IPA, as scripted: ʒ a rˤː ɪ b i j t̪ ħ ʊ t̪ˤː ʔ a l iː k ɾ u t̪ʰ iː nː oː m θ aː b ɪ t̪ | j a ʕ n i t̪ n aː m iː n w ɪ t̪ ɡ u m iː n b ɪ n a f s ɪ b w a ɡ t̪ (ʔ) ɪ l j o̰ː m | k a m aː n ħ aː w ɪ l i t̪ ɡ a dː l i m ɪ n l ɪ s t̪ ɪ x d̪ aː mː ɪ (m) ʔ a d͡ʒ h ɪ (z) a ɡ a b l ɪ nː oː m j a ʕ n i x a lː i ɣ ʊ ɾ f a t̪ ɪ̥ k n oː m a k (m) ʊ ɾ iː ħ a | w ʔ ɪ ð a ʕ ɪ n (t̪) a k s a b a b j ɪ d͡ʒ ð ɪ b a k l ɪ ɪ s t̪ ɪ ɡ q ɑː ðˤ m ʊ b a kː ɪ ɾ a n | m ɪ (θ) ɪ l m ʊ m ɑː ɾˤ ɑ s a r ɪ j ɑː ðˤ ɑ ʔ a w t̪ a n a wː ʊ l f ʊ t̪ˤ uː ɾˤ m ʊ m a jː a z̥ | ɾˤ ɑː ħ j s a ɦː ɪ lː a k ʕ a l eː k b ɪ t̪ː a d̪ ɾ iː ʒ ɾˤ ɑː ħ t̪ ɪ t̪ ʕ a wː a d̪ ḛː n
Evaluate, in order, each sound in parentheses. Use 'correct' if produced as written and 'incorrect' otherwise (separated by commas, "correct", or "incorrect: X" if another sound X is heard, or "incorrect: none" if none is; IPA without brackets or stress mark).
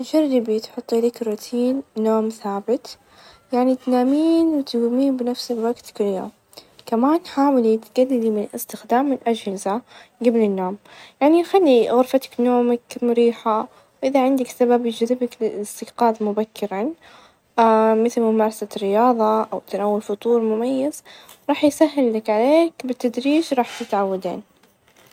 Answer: incorrect: k, incorrect: n, correct, correct, incorrect: d̪, correct